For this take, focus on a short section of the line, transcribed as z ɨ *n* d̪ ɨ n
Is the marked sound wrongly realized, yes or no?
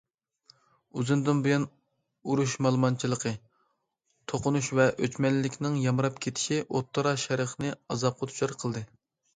no